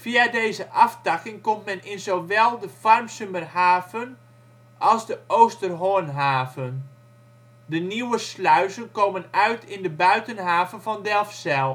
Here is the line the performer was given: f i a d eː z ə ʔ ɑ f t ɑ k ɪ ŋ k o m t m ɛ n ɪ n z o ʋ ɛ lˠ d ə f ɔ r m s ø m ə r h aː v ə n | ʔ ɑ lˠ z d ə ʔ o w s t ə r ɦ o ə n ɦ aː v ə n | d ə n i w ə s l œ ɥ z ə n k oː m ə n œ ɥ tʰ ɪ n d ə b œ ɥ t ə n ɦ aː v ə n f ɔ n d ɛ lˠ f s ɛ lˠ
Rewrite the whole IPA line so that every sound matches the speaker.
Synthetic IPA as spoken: f i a d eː z ə ʔ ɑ f t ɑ k ɪ ŋ k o m t m ɛ n ɪ n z o ʋ ɛ lˠ d ə f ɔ r m s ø m ə r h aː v ə n | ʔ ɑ lˠ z d ə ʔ o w s t ə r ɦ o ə n ɦ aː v ə n | d ə n i w ə s l œ ɥ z ə n k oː m ə n œ ɥ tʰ ɪ n d ə b œ ɥ t ə n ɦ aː v ə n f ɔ n d ɛ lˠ f s ɛ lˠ